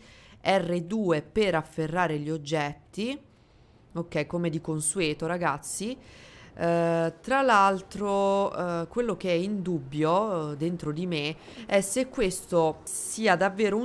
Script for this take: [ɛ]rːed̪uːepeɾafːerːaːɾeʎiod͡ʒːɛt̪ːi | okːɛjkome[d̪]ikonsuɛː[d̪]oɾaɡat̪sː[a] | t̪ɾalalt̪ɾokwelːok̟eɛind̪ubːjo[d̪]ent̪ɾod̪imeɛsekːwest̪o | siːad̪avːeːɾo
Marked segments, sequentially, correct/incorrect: correct, correct, incorrect, incorrect, correct

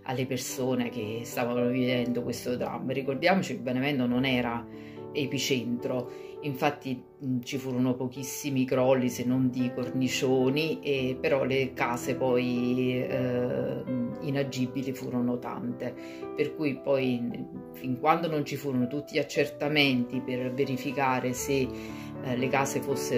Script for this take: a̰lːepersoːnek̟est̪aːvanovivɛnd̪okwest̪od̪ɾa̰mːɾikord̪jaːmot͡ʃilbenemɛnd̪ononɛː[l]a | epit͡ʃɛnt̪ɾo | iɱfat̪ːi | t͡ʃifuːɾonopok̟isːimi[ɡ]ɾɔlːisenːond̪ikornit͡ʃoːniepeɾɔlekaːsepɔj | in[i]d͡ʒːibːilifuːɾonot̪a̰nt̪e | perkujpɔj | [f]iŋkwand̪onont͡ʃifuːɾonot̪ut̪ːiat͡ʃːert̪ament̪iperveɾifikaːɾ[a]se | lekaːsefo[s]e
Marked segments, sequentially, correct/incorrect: incorrect, incorrect, incorrect, correct, incorrect, incorrect

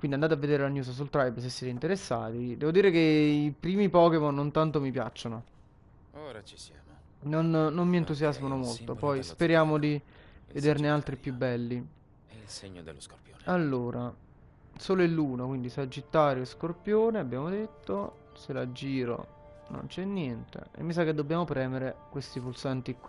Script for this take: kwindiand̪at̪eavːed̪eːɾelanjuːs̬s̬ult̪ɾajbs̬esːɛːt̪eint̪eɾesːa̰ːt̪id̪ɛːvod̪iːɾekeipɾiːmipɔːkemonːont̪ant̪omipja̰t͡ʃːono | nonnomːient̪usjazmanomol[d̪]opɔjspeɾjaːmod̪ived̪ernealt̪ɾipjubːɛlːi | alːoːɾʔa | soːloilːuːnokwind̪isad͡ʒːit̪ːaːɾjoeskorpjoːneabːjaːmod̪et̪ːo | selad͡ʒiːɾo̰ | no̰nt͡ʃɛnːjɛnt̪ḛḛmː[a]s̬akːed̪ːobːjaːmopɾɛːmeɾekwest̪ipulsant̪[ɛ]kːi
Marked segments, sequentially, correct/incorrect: incorrect, incorrect, incorrect

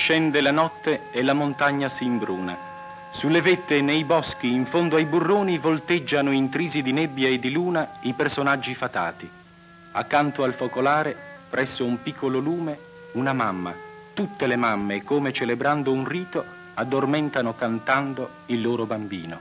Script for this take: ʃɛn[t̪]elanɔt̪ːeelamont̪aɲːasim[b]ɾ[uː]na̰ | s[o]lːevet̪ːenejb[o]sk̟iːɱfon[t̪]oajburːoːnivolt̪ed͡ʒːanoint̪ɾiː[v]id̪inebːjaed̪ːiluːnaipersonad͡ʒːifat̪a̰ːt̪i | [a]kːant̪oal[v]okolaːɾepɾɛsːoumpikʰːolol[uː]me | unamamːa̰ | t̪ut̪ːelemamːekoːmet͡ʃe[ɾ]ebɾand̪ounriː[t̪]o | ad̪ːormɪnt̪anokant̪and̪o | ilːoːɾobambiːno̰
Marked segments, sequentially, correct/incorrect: incorrect, correct, correct, incorrect, incorrect, incorrect, incorrect, correct, incorrect, correct, incorrect, correct

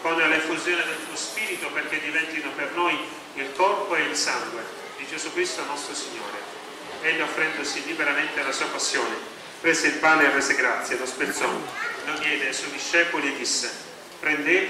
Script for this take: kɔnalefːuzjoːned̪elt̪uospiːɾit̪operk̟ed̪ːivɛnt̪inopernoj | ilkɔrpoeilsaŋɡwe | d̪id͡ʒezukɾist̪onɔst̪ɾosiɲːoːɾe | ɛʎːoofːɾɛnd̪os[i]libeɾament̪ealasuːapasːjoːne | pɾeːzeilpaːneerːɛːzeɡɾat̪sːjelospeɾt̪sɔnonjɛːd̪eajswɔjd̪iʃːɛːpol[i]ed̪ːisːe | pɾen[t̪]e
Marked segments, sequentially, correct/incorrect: correct, correct, incorrect

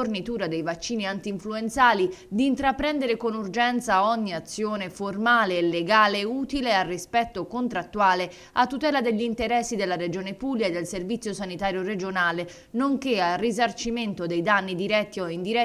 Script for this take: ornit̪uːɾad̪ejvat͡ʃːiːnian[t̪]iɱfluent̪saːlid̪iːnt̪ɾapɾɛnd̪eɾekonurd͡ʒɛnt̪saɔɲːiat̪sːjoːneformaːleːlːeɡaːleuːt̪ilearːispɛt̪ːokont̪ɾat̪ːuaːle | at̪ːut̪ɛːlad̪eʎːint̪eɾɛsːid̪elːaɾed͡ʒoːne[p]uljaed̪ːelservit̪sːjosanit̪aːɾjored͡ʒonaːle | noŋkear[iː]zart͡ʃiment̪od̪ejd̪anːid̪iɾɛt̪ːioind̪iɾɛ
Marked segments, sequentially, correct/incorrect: correct, correct, incorrect

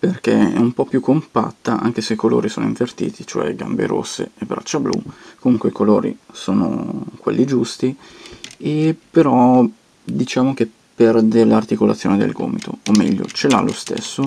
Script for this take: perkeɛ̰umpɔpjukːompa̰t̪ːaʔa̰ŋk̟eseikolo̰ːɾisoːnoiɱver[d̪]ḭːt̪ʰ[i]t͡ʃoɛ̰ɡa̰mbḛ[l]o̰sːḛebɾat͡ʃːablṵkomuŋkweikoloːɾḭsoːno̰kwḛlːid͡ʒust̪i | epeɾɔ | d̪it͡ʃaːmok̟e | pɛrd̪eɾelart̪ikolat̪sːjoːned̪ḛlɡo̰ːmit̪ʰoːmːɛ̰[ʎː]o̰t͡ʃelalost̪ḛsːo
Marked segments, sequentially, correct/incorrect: incorrect, correct, incorrect, correct

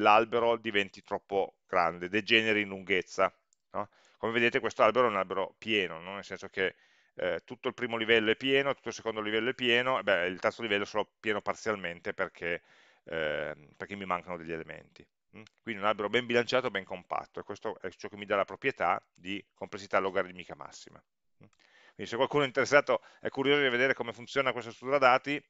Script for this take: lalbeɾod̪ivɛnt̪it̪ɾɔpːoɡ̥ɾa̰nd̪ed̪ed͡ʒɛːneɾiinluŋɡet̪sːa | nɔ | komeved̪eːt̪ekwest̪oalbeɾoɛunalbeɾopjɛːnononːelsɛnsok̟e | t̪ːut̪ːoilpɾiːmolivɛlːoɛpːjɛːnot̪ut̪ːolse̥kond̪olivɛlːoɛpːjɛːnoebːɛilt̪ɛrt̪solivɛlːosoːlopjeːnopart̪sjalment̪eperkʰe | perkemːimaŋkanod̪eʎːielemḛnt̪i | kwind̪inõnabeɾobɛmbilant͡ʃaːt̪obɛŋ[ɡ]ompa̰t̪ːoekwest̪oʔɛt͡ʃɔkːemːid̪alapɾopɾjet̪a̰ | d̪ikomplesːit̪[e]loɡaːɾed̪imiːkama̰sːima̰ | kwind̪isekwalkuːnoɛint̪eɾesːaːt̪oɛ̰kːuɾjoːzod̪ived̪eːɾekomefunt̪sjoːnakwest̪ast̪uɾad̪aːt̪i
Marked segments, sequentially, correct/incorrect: incorrect, incorrect

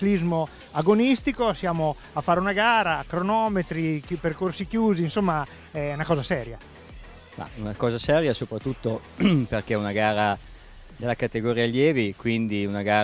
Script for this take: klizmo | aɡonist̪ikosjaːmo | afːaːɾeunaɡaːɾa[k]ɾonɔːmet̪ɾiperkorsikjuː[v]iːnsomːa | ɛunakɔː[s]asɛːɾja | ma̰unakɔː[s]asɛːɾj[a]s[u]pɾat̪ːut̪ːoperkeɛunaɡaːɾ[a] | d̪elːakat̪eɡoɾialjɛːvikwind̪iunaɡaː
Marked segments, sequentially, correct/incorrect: correct, incorrect, incorrect, incorrect, correct, incorrect, correct

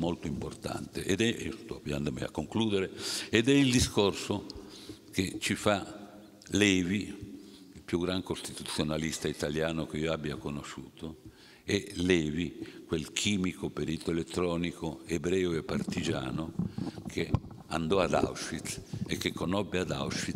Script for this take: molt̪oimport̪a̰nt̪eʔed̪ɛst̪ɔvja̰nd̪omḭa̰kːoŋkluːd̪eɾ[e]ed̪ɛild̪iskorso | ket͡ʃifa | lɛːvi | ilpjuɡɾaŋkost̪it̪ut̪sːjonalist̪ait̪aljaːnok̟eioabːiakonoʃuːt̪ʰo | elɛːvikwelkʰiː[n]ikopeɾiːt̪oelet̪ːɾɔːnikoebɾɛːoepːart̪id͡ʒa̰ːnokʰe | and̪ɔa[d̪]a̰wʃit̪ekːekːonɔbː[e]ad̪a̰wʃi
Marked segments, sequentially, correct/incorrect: correct, incorrect, correct, correct

